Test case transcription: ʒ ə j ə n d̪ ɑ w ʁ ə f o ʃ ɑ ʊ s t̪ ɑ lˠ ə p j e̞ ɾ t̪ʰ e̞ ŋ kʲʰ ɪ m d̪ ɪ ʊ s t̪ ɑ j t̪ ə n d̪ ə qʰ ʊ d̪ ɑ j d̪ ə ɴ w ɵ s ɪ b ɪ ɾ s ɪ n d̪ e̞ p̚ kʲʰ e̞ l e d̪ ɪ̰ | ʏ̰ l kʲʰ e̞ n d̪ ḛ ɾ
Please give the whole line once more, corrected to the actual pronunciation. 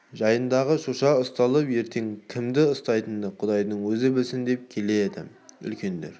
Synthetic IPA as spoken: ʒ ɑ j ə n d̪ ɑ ʁ ə ʃ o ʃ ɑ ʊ s t̪ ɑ lˠ ə p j e̞ ɾ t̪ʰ e̞ ŋ kʲʰ ɪ m d̪ ɪ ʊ s t̪ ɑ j t̪ ə n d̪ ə qʰ ʊ d̪ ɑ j d̪ ə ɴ w ɵ z ɪ b ɪ l s ɪ n d̪ e̞ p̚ kʲʰ e̞ l e d̪ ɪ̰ | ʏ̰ l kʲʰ e̞ n d̪ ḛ ɾ

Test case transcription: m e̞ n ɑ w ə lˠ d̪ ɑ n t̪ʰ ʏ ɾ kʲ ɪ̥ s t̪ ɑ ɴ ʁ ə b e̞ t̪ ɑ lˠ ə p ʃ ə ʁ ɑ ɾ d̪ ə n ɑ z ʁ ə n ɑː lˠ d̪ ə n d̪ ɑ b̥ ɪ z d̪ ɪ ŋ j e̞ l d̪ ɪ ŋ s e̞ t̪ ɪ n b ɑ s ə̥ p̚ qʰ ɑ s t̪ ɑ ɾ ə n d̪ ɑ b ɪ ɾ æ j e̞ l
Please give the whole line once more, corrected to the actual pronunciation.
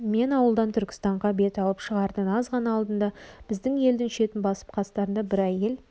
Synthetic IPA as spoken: m e̞ n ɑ w ə lˠ d̪ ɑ n t̪ʰ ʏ ɾ kʲ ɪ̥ s t̪ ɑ ɴ ʁ ɑ b e̞ t̪ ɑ lˠ ə p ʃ ə ʁ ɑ ɾ d̪ ə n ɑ z ʁ ɑ n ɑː lˠ d̪ ə n d̪ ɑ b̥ ɪ z d̪ ɪ ŋ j e̞ l d̪ ɪ ŋ ʃ e̞ t̪ ɪ n b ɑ s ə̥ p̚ qʰ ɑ s t̪ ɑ ɾ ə n d̪ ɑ b ɪ ɾ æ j e̞ l

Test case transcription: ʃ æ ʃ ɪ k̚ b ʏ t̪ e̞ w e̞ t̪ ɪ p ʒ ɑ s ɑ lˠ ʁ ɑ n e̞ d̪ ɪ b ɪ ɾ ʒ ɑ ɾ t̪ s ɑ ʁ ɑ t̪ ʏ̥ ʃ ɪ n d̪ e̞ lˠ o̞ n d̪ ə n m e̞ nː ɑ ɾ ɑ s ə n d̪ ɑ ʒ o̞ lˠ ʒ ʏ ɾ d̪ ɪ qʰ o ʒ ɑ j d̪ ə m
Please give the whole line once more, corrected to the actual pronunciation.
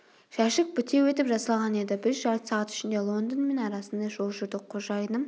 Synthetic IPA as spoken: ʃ æ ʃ ɪ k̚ b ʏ t̪ e̞ w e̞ t̪ ɪ p ʒ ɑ s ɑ lˠ ʁ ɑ n e̞ d̪ ɪ b ɪ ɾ ʒ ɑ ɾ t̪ s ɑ ʁ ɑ t̪ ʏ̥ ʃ ɪ n d̪ e̞ lˠ o̞ n d̪ ə n m e̞ n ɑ ɾ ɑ s ə n d̪ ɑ ʒ o̞ lˠ ʒ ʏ ɾ d̪ ɪ qʰ o ʒ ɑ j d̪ ə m

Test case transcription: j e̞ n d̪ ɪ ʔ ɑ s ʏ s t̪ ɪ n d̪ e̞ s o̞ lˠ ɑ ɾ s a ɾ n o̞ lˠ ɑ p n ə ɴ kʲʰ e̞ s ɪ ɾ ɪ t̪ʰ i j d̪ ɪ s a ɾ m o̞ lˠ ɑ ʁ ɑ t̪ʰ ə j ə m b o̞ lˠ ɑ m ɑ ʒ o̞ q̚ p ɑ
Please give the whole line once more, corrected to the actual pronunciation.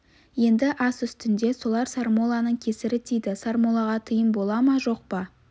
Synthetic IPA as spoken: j e̞ n d̪ ɪ ʔ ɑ s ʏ s t̪ ɪ n d̪ e̞ s o̞ lˠ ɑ ɾ s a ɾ m o̞ lˠ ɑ n ə ɴ kʲʰ e̞ s ɪ ɾ ɪ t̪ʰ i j d̪ ɪ s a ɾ m o̞ lˠ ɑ ʁ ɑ t̪ʰ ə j ə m b o̞ lˠ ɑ m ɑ ʒ o̞ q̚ p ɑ

